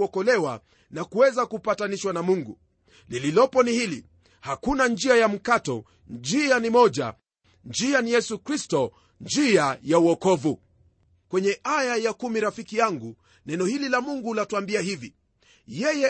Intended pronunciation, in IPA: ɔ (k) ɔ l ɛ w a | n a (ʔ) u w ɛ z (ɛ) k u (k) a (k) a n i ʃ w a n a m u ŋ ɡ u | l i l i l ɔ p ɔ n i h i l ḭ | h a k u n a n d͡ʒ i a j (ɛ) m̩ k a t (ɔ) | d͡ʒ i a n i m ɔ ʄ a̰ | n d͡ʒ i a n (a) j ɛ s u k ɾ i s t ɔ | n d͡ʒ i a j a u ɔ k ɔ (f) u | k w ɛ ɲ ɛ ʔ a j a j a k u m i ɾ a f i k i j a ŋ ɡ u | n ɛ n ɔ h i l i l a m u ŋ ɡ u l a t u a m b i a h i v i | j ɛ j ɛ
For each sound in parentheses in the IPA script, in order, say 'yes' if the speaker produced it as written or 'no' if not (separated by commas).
yes, no, no, no, no, no, yes, no, no